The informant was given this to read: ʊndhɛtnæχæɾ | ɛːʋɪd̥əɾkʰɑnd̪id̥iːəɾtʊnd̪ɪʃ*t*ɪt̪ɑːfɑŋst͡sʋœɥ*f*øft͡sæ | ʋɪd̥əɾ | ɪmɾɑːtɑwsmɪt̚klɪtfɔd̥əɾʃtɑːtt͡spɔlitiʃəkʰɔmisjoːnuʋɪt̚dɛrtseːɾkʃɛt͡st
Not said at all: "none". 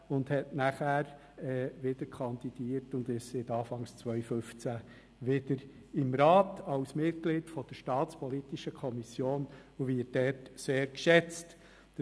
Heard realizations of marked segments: s, f

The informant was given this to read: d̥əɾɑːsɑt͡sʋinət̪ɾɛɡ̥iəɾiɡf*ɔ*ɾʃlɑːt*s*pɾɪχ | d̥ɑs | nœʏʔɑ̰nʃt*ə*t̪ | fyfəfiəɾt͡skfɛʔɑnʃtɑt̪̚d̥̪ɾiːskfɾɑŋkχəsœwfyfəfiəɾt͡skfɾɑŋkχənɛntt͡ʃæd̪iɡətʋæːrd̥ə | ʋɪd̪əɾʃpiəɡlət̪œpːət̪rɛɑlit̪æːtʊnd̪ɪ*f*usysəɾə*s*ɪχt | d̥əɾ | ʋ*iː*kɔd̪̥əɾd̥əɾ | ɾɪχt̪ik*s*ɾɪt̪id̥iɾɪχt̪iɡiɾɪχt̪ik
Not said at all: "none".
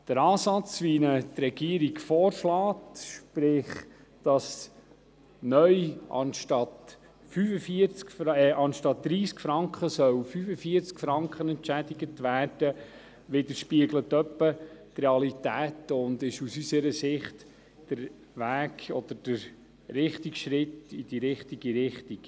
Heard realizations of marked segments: ɔː, ʃ, ɑ, ʃ, s, æː, ʃ

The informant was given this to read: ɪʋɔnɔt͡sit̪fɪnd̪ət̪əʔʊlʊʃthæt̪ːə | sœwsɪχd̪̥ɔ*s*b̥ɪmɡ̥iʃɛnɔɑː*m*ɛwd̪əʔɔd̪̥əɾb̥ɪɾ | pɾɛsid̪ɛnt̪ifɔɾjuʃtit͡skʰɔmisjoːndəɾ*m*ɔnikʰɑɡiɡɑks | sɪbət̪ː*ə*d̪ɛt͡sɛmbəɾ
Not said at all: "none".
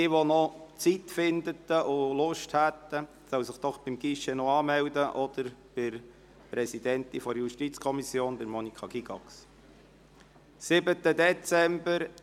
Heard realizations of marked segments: χ, m, m, ə

